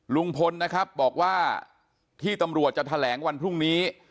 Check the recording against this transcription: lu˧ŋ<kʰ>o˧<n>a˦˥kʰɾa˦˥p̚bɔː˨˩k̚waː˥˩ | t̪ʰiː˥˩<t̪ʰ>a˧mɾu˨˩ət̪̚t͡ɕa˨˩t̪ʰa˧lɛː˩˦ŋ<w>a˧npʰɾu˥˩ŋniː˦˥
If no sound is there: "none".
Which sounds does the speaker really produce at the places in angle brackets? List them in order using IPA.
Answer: pʰ, nː, t̪, w

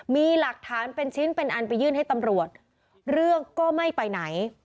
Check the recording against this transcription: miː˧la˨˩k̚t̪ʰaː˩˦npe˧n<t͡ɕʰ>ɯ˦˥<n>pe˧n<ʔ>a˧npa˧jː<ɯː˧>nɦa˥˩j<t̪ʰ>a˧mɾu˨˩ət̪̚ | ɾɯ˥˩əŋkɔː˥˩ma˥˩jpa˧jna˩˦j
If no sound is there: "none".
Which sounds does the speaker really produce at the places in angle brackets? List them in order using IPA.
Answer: t͡ɕʰ, n, ʔ, ɯː˥˩, t̪

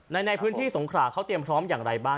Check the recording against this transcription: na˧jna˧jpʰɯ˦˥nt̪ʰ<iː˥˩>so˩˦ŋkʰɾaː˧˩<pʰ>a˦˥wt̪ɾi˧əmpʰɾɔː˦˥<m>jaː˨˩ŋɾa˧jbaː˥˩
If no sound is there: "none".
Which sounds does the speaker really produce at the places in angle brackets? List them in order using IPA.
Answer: iː˥˩, kʰ, m

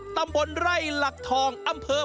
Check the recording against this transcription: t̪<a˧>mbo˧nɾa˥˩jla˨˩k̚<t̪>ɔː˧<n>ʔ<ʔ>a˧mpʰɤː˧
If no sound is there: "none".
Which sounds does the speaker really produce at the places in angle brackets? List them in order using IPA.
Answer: a˧, t̪ʰ, ŋ, ʔ

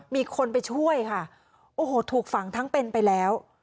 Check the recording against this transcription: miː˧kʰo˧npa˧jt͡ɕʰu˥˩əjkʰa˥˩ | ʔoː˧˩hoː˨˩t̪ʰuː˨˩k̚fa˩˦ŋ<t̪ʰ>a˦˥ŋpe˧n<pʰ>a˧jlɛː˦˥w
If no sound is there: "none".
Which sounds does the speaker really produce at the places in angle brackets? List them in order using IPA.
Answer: t̪ʰ, p

